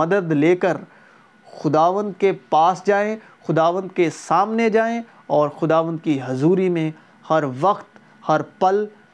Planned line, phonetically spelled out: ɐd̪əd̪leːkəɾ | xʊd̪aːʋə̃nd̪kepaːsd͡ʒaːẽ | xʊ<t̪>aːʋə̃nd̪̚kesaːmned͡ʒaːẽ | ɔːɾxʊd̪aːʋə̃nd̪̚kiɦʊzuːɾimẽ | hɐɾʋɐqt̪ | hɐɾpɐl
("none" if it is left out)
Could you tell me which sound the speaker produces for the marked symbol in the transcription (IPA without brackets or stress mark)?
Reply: d̪